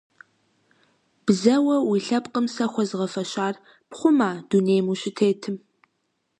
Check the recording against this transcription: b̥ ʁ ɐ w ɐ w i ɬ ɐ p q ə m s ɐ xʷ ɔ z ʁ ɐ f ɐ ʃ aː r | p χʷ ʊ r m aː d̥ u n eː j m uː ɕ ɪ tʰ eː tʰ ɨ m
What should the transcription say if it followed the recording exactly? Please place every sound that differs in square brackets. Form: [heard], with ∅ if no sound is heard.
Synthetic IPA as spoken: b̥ [z] ɐ w ɐ w i ɬ ɐ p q ə m s ɐ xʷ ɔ z ʁ ɐ f ɐ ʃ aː r | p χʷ ʊ [∅] m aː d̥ u n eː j m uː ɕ ɪ tʰ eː tʰ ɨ m